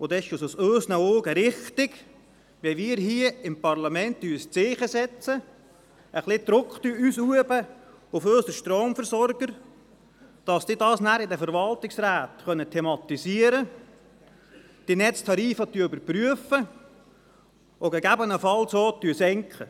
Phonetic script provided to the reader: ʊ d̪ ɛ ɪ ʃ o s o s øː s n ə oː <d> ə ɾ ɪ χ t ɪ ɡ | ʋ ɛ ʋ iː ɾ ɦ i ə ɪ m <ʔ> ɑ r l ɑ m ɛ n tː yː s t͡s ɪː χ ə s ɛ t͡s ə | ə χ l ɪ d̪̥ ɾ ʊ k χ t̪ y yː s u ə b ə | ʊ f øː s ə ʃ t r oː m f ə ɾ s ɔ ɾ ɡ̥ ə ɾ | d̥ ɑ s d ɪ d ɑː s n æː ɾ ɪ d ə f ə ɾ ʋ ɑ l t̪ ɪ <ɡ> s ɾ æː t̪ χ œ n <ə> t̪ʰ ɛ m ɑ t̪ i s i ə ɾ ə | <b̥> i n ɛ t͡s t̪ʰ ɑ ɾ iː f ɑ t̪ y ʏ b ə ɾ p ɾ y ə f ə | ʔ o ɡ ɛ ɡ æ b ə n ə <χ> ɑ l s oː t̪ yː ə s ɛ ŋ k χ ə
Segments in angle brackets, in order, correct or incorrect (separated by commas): incorrect, incorrect, incorrect, correct, incorrect, incorrect